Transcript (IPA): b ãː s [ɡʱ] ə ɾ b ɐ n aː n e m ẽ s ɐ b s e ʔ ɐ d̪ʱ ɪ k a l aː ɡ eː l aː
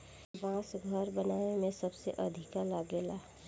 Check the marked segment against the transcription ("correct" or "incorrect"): correct